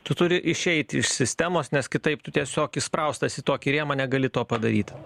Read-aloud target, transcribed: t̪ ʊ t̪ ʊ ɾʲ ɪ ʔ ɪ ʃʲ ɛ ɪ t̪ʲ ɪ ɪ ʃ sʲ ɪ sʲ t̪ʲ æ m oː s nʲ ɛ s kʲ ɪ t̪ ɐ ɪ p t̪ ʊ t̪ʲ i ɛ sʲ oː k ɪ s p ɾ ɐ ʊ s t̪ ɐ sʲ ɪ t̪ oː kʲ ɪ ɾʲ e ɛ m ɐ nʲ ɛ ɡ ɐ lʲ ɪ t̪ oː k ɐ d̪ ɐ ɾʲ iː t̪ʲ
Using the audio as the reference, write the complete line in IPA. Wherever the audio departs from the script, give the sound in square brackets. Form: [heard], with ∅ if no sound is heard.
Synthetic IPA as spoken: t̪ ʊ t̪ ʊ ɾʲ ɪ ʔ ɪ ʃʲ ɛ ɪ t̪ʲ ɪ ɪ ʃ sʲ ɪ sʲ t̪ʲ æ m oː s nʲ ɛ s kʲ ɪ t̪ ɐ ɪ p t̪ ʊ t̪ʲ i ɛ sʲ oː k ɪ s p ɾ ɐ ʊ s t̪ ɐ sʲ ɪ t̪ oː kʲ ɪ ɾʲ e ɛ m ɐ nʲ ɛ ɡ ɐ lʲ ɪ t̪ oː [p] ɐ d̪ ɐ ɾʲ iː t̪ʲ